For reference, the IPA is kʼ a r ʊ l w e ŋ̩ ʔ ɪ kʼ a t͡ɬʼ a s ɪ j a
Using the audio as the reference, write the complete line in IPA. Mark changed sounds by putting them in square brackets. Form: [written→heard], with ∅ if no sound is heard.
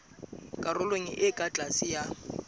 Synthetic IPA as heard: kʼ a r ʊ l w e ŋ̩ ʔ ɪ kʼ a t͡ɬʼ a s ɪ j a

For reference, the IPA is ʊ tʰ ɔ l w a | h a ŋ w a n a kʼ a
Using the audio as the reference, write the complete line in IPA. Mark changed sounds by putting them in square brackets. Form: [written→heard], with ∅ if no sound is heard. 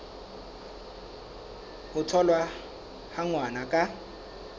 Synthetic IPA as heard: ʊ tʰ ɔ l w a | h a ŋ w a n a kʼ a

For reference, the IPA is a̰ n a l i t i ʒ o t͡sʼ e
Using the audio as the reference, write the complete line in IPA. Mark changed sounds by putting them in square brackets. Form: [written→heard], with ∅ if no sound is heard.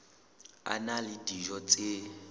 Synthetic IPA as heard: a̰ n a l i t i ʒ [o→ɔ] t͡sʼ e

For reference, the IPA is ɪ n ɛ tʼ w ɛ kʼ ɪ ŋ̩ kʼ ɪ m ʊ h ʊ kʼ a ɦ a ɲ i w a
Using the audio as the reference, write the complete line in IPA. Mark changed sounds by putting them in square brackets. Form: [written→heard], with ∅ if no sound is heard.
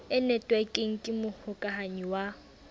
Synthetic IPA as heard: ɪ n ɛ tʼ w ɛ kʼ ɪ ŋ̩ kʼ ɪ m ʊ h ʊ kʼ a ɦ a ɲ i w a

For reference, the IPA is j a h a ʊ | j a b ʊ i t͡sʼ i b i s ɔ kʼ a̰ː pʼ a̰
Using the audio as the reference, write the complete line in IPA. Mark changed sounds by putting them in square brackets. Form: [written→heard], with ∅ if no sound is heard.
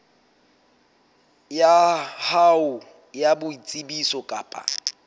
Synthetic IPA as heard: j a h a ʊ | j a b ʊ i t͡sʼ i b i s ɔ kʼ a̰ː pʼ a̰

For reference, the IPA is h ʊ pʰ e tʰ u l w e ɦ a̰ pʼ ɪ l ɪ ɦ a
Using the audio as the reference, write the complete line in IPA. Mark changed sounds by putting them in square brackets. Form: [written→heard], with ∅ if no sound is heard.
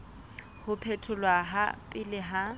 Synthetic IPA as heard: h ʊ pʰ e tʰ [u→ʊ] l w [e→a] ɦ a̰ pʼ ɪ l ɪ ɦ a

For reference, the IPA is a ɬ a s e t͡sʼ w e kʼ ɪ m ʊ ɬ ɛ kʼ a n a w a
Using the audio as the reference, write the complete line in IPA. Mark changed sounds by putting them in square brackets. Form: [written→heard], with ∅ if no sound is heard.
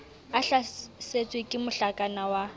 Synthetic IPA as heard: a ɬ a s e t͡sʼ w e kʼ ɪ m ʊ ɬ [ɛ→a] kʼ a n a w a

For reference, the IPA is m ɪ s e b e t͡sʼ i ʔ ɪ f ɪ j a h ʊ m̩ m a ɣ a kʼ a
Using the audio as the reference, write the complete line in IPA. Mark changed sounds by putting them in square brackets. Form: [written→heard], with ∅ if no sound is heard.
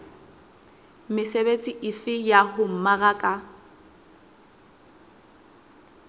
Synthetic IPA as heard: m ɪ s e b e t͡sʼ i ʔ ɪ f ɪ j a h ʊ m̩ m a ɣ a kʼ a

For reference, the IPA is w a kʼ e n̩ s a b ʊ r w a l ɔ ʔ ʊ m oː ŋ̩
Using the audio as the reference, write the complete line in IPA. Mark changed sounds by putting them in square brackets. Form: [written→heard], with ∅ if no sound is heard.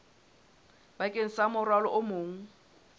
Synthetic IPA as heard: [w→b] a kʼ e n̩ s a [b→m] ʊ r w a l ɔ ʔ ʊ m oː ŋ̩

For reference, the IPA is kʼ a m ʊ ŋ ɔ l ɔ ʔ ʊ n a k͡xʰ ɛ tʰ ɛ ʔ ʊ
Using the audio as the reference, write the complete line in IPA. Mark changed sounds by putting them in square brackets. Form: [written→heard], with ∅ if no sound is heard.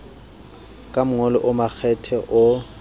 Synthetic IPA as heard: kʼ a m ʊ ŋ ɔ l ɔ ʔ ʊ [n→m] a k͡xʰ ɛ tʰ ɛ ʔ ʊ

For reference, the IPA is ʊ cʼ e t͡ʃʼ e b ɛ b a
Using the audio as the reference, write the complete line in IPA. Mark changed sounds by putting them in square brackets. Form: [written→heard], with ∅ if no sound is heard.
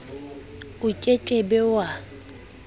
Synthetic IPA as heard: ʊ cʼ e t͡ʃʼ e b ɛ [b→w] a

